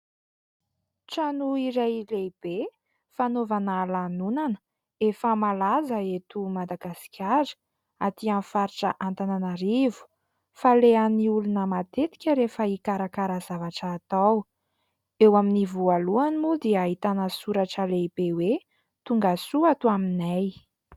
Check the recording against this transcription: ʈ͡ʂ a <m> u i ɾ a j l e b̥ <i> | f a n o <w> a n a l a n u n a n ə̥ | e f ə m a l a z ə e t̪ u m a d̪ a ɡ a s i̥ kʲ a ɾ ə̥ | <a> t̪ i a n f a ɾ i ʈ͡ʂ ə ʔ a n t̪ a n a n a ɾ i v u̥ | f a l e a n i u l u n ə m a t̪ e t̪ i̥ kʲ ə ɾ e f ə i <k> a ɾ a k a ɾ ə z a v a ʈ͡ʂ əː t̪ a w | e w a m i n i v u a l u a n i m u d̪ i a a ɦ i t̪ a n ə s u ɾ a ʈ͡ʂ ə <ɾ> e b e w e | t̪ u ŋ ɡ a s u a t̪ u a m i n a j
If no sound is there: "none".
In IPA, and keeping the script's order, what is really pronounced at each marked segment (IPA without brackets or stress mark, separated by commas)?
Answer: n, e, v, a, k, l